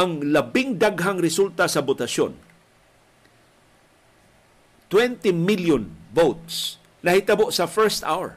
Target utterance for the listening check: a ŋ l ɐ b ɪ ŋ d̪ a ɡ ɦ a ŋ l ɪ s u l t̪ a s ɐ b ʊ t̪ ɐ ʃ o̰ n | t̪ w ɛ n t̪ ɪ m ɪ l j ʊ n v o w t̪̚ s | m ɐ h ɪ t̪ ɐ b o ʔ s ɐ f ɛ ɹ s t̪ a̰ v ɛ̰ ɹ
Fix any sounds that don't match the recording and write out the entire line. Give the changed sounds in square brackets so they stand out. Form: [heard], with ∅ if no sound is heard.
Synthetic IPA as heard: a ŋ l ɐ b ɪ ŋ d̪ a ɡ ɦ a ŋ [ɾ] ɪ s u l t̪ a s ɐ b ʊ t̪ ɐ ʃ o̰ n | t̪ w ɛ n t̪ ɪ m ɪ l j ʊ n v o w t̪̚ s | [n] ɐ h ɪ t̪ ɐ b o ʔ s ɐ f ɛ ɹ s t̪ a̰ [w] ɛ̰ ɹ